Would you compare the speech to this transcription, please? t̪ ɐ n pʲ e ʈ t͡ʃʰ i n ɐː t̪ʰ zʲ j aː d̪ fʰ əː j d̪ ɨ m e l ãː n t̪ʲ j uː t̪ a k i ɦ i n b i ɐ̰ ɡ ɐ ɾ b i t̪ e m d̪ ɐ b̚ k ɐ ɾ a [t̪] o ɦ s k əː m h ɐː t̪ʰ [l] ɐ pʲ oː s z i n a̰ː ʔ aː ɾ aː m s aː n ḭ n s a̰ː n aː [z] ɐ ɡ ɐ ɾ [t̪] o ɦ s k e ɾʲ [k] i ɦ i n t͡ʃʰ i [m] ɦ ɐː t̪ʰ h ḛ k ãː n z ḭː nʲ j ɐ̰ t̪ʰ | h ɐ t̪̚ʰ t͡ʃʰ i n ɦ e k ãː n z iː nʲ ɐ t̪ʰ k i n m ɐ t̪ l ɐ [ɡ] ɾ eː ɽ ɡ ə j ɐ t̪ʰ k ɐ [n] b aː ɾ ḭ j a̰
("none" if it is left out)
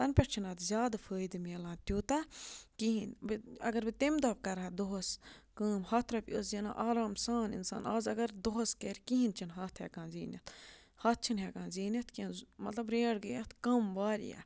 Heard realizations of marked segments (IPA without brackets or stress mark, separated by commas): d̪, ɾ, z, d̪, k, n, b, m